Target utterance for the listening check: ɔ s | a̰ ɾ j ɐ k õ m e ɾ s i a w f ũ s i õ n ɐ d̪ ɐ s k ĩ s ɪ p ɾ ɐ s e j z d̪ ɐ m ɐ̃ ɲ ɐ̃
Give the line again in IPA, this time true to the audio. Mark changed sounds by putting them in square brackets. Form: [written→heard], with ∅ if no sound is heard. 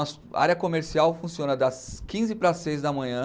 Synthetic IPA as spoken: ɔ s | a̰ ɾ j ɐ k [õ→o] m e ɾ s i a w f ũ s i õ n ɐ d̪ ɐ s k ĩ [s→z] ɪ p ɾ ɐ s e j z d̪ ɐ m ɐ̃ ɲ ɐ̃